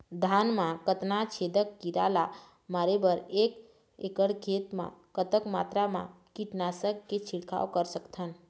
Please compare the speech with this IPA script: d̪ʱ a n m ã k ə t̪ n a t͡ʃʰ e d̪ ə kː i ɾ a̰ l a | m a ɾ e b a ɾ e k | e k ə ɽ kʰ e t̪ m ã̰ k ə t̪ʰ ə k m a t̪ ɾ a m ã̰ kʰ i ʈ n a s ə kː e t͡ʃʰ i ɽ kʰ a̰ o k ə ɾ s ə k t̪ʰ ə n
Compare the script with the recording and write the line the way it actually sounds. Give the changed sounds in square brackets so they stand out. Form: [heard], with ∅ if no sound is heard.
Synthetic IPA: d̪ʱ a n m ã k ə t̪ n a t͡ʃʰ e d̪ ə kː i ɾ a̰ l a | m a ɾ e b [ə] ɾ e k | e k ə ɽ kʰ e t̪ m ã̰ k ə [t̪] ə k m a t̪ ɾ a m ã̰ [k] i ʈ n a s ə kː e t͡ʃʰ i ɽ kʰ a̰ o k ə ɾ s ə k t̪ʰ ə n

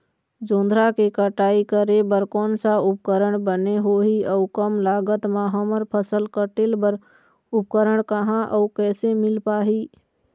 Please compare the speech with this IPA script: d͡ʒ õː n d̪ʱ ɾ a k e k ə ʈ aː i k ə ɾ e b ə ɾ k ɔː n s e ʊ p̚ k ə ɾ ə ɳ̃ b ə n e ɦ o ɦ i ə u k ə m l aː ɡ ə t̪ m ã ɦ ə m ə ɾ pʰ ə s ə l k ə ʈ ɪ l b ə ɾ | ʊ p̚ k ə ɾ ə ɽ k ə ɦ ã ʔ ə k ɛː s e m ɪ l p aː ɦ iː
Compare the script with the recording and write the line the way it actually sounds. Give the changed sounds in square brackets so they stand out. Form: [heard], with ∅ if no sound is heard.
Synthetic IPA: d͡ʒ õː n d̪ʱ ɾ a k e k ə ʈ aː i k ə ɾ e b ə ɾ k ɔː n s [a] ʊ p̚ k ə ɾ ə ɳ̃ b ə n e ɦ o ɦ i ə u k ə m l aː ɡ ə t̪ m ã ɦ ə m ə ɾ pʰ ə s ə l k ə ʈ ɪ l b ə ɾ | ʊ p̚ k ə ɾ ə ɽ k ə ɦ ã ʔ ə k ɛː s e m ɪ l p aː ɦ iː

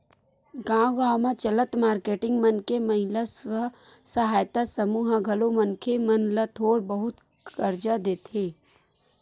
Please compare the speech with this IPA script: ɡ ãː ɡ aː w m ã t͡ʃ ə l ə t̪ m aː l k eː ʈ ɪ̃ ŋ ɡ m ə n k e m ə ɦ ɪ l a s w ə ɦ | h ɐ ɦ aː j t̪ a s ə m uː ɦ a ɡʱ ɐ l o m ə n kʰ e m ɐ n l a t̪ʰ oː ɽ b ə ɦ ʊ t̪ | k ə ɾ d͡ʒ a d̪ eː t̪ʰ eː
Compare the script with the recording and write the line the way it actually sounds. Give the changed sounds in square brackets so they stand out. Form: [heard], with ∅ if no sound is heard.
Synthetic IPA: ɡ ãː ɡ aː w m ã t͡ʃ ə l ə t̪ m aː [ɾ] k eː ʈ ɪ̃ ŋ ɡ m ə n k e m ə ɦ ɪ l a s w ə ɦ | [s] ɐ ɦ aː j t̪ a s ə m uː ɦ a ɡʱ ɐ l o m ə n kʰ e m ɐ n l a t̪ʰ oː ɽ b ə ɦ ʊ t̪ | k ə ɾ d͡ʒ a d̪ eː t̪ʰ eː

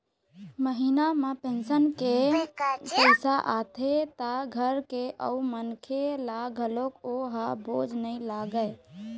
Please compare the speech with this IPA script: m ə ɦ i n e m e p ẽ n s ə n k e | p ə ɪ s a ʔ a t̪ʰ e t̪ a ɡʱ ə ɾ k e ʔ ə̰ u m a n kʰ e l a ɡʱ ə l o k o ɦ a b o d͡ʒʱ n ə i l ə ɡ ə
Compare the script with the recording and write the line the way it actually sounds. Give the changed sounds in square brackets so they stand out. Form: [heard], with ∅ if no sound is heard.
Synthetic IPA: m ə ɦ i n [a] m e p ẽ n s ə n k e | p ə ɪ s a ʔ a t̪ʰ e t̪ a ɡʱ ə ɾ k e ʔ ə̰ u m [ə] n kʰ e l a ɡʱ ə l o k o ɦ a b o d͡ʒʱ n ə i l [a] ɡ ə

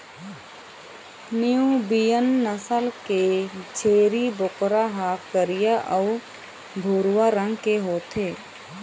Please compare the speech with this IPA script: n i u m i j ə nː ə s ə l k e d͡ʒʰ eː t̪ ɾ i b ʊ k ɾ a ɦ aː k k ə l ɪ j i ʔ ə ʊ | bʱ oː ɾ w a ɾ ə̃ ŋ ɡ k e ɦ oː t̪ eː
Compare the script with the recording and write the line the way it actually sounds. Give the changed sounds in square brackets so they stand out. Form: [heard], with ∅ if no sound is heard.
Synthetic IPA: n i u [b] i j ə nː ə s ə l k e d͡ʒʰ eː [∅] ɾ i b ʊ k ɾ a ɦ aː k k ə [ɾ] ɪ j [a] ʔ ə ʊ | bʱ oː ɾ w a ɾ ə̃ ŋ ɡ k e ɦ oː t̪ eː

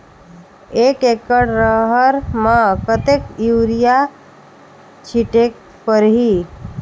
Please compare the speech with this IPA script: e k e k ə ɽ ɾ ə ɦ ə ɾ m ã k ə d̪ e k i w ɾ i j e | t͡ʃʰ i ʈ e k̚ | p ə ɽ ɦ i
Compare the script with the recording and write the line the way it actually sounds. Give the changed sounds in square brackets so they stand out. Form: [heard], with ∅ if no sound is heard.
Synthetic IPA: e k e k ə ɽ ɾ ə ɦ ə ɾ m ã k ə [t̪] e k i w ɾ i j [a] | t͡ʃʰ i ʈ e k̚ | p ə [ɾ] ɦ i

